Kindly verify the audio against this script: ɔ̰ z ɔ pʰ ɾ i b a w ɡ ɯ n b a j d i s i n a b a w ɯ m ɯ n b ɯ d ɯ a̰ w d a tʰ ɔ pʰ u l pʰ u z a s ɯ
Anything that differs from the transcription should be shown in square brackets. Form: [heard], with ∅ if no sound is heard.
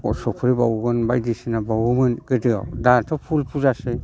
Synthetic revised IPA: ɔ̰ [s] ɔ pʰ ɾ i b a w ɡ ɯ n b a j d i s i n a b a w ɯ m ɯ n [ɡ] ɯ d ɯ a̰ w d a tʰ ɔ pʰ u l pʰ u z a s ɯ